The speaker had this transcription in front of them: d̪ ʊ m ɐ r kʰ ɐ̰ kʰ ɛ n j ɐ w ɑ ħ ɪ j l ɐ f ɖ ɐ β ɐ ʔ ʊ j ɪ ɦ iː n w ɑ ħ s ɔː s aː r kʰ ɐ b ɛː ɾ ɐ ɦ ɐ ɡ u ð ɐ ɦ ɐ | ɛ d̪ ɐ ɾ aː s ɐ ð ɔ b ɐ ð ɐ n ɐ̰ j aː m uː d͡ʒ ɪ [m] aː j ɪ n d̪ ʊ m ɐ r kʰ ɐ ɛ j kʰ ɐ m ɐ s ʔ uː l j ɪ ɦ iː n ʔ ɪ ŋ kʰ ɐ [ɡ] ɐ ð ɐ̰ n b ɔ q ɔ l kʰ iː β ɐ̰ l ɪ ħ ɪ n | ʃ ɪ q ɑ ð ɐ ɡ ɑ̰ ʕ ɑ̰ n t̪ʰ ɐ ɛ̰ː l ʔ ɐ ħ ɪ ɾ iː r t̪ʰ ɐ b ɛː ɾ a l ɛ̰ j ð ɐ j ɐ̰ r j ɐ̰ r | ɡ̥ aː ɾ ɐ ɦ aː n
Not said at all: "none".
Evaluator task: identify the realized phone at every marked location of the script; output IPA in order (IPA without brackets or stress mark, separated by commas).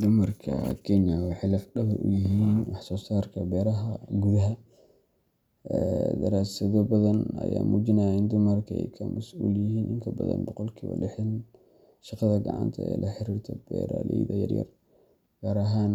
n, b